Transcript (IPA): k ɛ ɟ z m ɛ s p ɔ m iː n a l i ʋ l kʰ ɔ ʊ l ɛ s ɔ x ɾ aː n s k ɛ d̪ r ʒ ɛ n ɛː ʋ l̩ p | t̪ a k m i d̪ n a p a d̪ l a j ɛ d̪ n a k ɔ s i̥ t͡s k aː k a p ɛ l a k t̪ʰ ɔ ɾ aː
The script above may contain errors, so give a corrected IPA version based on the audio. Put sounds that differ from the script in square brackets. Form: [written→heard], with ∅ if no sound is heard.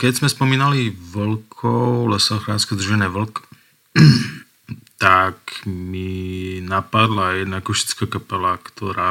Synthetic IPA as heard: k ɛ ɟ z m ɛ s p ɔ m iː n a l i ʋ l kʰ ɔ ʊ l ɛ s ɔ x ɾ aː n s k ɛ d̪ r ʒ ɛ n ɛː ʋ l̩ [p→k] | t̪ a k m i [d̪→∅] n a p a d̪ l a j ɛ d̪ n a k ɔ [s→ʃ] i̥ t͡s k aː k a p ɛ l a k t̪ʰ ɔ ɾ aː